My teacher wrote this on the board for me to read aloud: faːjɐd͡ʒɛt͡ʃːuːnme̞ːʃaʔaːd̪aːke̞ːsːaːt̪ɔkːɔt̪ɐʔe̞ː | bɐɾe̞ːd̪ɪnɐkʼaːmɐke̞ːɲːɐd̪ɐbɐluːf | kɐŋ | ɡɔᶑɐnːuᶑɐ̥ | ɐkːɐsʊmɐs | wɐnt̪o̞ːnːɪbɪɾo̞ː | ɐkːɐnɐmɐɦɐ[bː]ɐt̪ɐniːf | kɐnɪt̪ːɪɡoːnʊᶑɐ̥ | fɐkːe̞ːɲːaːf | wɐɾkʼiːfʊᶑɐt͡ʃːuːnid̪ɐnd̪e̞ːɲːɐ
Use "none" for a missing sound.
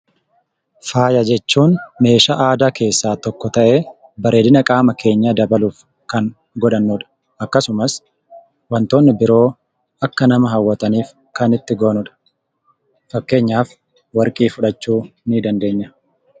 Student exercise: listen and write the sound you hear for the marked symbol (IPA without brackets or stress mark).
wː